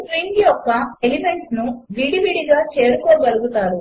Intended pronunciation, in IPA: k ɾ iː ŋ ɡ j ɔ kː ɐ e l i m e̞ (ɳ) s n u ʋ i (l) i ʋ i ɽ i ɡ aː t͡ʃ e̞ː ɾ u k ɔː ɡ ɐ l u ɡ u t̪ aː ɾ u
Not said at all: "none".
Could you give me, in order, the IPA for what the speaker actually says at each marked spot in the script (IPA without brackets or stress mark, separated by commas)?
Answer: ɳ, ɽ